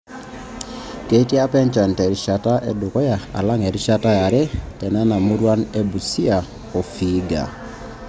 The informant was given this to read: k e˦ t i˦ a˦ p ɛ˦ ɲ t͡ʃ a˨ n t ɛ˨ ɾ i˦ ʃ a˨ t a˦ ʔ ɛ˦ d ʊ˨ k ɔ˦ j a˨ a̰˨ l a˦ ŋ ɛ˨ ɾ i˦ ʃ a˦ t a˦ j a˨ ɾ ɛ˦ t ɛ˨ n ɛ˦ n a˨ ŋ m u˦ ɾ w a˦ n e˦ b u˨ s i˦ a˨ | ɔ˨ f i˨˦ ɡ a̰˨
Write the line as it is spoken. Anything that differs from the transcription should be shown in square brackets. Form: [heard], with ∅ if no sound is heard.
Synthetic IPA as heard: k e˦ t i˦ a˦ p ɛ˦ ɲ t͡ʃ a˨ n t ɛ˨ ɾ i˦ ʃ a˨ t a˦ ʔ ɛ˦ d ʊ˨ k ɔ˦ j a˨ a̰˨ l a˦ ŋ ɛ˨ ɾ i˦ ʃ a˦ t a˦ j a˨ ɾ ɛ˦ t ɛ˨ n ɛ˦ n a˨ [∅] m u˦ ɾ w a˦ n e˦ b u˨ s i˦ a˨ | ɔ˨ f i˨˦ ɡ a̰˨